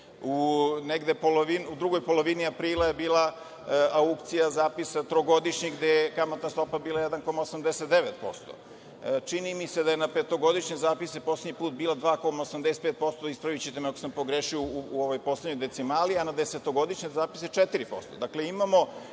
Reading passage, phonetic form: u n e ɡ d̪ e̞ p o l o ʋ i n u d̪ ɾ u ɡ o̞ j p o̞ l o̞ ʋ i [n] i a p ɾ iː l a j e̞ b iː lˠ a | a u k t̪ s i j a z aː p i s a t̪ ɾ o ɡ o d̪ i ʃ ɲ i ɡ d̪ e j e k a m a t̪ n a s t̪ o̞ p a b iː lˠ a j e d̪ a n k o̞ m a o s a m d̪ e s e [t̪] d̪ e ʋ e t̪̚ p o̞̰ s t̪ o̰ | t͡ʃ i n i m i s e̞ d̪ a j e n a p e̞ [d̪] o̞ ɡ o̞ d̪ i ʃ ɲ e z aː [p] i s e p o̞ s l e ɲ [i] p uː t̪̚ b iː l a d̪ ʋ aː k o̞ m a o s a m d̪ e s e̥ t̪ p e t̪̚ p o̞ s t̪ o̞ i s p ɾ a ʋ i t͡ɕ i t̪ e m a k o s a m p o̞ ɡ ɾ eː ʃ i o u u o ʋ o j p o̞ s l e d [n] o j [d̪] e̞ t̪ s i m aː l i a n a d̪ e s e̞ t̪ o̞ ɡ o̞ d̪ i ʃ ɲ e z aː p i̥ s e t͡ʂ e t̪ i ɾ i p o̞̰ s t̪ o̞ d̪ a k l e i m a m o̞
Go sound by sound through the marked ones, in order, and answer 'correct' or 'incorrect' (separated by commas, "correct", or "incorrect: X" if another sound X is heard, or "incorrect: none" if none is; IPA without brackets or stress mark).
correct, correct, incorrect: t̪, correct, correct, incorrect: ɲ, correct